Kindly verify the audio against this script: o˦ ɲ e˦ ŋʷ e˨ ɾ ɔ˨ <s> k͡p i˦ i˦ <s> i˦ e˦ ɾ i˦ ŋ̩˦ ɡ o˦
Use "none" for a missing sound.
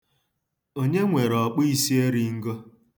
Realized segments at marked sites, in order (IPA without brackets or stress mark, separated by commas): none, s